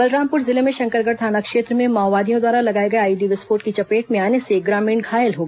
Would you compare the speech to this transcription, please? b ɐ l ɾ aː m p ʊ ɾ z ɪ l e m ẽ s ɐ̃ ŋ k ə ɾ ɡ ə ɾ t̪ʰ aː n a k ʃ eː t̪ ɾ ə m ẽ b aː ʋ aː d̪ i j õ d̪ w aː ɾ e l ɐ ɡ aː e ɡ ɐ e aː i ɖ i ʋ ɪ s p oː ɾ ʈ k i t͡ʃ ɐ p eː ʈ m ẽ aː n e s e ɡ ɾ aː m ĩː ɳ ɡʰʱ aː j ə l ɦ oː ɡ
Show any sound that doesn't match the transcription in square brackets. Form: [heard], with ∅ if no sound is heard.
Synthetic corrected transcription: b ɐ l ɾ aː m p ʊ ɾ z ɪ l e m ẽ [ʃ] ɐ̃ ŋ k ə ɾ ɡ ə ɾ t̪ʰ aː n a k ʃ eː t̪ ɾ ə m ẽ [m] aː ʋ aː d̪ i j õ d̪ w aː ɾ [a] l ɐ ɡ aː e ɡ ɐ e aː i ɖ i ʋ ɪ s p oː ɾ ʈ k i t͡ʃ ɐ p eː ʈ m ẽ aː n e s e ɡ ɾ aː m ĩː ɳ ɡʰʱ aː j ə l ɦ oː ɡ